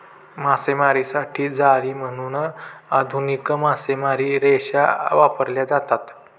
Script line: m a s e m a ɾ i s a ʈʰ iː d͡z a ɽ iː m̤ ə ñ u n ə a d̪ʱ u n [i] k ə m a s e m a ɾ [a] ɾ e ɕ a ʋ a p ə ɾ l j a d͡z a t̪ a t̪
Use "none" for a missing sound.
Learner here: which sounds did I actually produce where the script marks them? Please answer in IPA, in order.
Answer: i, i

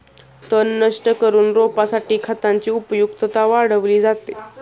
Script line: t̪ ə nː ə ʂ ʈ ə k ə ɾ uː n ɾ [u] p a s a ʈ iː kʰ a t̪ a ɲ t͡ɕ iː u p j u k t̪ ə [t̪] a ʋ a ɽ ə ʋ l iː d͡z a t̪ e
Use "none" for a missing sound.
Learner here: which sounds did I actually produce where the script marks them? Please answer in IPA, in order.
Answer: o, t̪

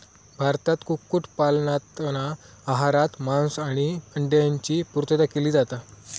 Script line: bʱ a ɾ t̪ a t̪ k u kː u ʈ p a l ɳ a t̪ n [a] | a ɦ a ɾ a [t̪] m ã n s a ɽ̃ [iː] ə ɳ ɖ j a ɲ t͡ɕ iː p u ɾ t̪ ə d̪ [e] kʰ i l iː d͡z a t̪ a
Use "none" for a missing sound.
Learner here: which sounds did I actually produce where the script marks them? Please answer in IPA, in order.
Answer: a, t̪, i, a

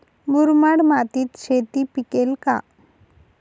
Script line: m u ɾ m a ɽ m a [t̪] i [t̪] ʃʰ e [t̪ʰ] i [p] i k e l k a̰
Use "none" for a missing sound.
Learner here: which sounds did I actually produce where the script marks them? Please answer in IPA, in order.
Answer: t̪, t̪, t̪, p

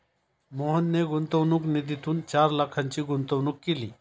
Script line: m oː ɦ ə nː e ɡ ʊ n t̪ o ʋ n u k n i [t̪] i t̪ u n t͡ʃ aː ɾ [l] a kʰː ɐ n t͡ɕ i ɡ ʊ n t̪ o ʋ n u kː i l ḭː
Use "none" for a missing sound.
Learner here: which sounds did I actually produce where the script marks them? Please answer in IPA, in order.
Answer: d̪, l

